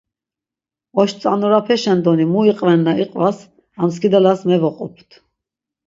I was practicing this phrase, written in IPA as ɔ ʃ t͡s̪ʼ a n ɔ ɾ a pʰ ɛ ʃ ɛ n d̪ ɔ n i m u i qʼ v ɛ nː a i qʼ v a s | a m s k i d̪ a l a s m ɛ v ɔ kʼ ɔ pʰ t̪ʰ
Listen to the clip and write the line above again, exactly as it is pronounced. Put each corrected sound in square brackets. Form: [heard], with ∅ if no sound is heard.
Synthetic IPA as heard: ɔ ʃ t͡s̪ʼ a n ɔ ɾ a pʰ ɛ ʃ ɛ n d̪ ɔ n i m u i qʼ v ɛ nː a i qʼ v a s | a m s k i d̪ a l a s m ɛ v ɔ [qʼ] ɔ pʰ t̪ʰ

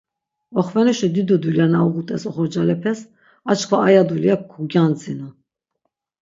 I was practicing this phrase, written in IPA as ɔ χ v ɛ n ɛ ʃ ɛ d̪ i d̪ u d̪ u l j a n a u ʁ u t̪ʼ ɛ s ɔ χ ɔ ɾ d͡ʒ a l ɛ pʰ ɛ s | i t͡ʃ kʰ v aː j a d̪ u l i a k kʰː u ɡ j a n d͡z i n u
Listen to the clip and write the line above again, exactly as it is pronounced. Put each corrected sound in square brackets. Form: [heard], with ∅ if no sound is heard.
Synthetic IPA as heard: ɔ χ v ɛ n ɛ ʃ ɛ d̪ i d̪ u d̪ u l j a n a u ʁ u t̪ʼ ɛ s ɔ χ ɔ ɾ d͡ʒ a l ɛ pʰ ɛ s | [a] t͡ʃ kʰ v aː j a d̪ u l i a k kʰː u ɡ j a n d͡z i n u

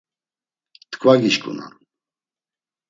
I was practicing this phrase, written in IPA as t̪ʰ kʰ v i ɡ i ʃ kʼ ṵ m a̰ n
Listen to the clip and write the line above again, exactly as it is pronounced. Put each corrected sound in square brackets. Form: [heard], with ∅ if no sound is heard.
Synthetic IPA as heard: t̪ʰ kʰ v [a] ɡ i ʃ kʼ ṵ [n] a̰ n

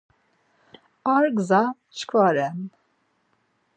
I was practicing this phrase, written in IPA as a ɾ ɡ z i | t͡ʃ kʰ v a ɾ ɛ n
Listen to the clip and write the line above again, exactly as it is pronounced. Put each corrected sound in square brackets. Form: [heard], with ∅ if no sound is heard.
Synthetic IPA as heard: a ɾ ɡ z [a] | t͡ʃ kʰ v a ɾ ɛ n

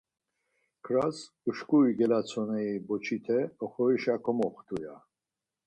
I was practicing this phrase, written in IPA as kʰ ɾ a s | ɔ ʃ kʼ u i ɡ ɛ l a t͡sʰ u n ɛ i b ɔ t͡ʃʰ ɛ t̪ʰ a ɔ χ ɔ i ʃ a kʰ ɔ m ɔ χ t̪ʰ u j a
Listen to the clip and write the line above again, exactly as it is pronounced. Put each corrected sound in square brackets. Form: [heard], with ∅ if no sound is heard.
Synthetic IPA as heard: kʰ ɾ a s | [u] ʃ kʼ u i ɡ ɛ l a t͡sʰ [ɔ] n ɛ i b ɔ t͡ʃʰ [i] t̪ʰ [ɛ] ɔ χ ɔ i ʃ a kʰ ɔ m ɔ χ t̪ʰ u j a

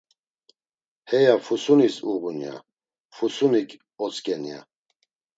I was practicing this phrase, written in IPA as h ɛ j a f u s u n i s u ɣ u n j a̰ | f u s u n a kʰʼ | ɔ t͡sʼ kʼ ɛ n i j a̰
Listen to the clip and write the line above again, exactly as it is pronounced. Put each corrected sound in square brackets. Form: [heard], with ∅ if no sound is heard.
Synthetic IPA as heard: h ɛ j a f u s u n i s u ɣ u n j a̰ | f u s u n [i] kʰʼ | ɔ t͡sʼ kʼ ɛ n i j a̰

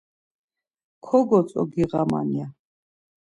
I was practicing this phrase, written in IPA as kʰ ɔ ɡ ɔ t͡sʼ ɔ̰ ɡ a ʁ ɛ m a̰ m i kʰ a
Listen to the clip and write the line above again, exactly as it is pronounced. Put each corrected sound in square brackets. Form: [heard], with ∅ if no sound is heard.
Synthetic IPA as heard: kʰ ɔ ɡ ɔ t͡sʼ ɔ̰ ɡ [i] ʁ [a] m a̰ [n] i [∅] a

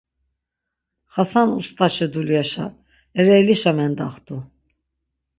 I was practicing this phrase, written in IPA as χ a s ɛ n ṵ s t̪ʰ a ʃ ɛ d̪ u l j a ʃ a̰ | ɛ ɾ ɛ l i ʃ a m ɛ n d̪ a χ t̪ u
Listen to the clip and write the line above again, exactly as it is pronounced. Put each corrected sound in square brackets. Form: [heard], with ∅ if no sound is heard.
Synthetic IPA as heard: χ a s [a] n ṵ s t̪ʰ a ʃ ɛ d̪ u l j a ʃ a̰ | ɛ ɾ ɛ l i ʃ a m ɛ n d̪ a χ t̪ u

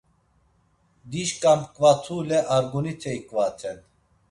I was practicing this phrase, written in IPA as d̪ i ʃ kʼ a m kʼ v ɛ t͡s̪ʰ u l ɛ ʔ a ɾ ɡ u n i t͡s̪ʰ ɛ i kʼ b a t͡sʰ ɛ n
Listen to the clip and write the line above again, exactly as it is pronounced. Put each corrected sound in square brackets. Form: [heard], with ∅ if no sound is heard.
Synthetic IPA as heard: d̪ i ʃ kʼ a m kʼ v [a] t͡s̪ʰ u l ɛ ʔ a ɾ ɡ u n i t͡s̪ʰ ɛ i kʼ [v] a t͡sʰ ɛ n

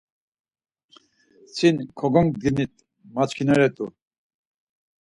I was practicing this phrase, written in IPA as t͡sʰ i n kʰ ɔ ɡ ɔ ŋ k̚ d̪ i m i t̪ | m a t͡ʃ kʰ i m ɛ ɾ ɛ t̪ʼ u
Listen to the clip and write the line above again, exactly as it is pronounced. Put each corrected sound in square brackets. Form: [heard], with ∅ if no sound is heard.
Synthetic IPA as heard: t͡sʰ i n kʰ ɔ ɡ ɔ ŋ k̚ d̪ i [n] i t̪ | m a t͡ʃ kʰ i [n] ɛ ɾ ɛ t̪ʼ u

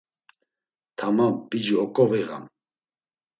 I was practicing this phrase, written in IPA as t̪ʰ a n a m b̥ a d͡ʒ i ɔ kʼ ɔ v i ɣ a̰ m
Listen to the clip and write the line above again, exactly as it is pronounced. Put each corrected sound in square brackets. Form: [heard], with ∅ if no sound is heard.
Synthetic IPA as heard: t̪ʰ a [m] a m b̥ [i] d͡ʒ i ɔ kʼ ɔ v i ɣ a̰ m

